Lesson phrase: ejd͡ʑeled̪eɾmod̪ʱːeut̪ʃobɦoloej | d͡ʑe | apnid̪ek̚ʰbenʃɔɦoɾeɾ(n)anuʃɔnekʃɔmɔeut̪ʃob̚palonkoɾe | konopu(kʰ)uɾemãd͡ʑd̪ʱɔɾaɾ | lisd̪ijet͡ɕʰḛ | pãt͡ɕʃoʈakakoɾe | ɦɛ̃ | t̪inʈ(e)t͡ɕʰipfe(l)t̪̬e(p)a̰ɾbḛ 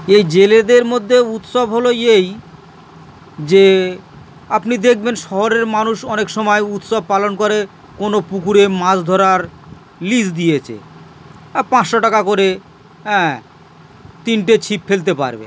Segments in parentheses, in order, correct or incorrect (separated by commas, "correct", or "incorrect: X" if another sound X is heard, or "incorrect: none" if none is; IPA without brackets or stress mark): incorrect: m, incorrect: k, correct, correct, correct